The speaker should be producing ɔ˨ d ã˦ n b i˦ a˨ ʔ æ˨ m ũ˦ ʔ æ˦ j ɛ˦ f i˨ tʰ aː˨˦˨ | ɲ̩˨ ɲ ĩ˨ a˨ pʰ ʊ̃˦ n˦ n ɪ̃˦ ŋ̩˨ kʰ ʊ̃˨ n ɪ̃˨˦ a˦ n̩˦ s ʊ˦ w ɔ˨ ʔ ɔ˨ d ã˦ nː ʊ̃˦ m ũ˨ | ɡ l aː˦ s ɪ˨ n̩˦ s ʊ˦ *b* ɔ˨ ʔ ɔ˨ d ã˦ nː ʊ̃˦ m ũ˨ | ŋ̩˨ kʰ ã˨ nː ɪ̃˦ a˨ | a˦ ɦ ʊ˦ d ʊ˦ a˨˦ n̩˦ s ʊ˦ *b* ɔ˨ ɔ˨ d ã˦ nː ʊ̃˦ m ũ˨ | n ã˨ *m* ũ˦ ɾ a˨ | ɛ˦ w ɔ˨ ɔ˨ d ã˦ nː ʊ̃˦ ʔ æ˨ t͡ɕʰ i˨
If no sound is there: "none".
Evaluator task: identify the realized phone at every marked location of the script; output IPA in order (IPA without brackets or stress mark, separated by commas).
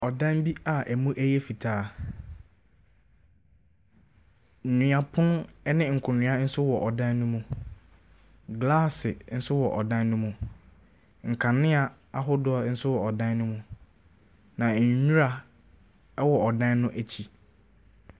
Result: w, w, ɲ